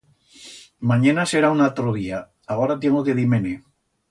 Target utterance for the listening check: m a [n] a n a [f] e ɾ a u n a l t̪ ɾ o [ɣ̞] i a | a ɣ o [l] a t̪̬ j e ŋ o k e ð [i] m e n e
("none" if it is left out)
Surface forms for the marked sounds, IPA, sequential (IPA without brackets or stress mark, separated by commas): ɲ, s, ð̞, ɾ, i